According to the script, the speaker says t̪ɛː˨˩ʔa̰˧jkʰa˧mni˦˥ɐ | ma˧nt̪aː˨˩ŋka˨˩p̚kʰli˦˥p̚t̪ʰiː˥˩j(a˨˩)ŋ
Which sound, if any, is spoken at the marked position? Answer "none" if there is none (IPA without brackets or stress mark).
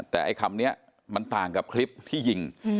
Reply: i˨˩